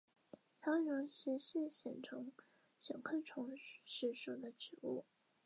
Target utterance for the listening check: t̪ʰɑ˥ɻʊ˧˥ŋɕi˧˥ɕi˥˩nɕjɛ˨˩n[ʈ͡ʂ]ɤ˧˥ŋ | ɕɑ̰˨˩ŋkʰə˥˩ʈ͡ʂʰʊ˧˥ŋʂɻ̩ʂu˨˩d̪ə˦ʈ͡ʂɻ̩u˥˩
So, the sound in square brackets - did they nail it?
no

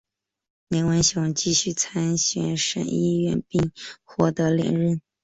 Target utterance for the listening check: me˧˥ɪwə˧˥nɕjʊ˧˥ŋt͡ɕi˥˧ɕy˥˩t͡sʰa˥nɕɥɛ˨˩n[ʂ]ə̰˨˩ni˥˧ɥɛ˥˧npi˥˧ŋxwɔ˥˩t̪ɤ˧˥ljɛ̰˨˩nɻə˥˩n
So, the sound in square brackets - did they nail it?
yes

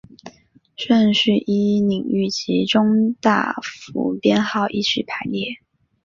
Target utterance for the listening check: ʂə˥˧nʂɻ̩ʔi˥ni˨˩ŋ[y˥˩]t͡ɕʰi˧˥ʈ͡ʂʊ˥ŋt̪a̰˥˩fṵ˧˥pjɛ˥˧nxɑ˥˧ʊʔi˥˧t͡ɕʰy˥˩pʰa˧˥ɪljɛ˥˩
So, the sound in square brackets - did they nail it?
yes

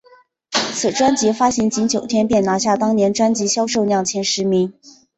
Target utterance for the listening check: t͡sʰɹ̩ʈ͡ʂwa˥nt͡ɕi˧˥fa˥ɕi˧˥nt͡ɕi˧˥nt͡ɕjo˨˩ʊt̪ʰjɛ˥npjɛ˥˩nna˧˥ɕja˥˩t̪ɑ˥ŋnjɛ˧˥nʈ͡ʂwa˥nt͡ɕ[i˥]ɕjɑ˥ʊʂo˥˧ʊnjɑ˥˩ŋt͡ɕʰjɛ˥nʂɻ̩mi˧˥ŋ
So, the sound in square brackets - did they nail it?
no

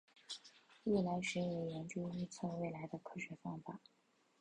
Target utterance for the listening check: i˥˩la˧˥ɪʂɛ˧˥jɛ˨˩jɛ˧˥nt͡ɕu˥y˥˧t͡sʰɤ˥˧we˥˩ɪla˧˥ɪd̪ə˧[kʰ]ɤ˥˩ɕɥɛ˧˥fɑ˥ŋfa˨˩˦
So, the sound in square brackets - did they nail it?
yes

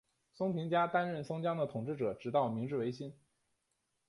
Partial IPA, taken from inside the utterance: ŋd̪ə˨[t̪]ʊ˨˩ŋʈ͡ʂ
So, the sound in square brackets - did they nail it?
no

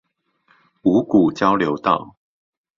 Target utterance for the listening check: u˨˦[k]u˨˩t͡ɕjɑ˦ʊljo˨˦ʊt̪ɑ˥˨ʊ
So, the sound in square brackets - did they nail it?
yes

